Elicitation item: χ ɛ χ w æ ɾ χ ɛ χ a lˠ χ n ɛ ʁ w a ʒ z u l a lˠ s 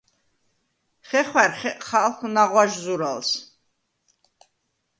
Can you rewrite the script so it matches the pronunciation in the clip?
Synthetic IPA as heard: χ ɛ χ w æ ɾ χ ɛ χ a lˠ χ n a ʁ w a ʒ z u ɾ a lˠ s